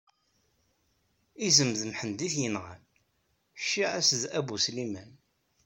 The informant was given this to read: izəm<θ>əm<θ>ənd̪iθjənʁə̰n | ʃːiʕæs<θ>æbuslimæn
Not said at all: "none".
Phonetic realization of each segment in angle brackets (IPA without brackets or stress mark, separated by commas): ð, ħ, ð